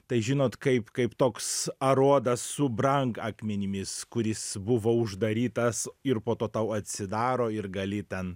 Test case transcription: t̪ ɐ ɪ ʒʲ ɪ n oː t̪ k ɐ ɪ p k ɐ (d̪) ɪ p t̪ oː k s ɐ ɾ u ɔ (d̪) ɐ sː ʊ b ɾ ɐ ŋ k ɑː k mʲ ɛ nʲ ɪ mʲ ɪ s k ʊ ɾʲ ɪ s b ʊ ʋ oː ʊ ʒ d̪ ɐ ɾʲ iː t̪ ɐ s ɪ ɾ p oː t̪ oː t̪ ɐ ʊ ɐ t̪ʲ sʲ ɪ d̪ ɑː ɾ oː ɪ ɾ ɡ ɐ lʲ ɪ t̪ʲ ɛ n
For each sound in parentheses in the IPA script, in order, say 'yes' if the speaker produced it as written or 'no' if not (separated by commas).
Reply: no, yes